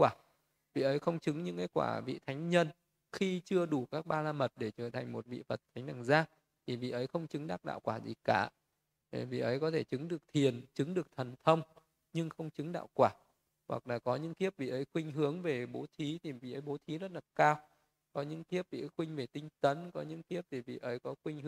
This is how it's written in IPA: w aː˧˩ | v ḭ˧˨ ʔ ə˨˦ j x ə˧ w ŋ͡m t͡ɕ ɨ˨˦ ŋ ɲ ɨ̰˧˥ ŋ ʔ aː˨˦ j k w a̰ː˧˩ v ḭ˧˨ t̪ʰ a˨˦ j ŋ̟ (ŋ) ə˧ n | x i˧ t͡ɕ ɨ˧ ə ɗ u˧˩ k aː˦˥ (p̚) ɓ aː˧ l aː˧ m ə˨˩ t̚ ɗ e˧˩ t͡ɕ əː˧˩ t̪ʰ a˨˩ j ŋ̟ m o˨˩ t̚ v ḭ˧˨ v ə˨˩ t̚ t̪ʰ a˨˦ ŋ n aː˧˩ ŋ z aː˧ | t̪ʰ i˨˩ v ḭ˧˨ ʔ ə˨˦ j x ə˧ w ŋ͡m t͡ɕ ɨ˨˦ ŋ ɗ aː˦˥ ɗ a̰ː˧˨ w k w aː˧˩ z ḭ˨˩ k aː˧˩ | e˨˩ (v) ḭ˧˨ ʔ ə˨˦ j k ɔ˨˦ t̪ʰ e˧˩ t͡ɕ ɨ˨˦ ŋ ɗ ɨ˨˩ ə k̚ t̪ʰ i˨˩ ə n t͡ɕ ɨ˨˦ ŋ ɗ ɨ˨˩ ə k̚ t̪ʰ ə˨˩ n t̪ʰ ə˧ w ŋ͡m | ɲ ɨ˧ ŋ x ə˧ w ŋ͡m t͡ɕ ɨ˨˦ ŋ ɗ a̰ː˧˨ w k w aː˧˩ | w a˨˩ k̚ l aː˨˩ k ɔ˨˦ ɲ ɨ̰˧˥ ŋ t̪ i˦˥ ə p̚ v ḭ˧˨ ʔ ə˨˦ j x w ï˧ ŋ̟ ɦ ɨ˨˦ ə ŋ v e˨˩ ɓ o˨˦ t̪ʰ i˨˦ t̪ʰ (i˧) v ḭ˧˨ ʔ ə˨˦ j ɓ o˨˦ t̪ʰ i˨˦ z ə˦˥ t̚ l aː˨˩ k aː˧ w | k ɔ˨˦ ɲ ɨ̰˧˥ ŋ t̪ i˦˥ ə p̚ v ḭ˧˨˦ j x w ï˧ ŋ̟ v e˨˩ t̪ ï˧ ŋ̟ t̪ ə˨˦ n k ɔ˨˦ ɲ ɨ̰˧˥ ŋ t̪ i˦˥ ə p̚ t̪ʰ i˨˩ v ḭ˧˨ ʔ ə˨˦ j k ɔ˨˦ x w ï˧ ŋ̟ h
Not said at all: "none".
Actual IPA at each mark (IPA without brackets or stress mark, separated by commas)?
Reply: ɲ, k̚, v, i˨˩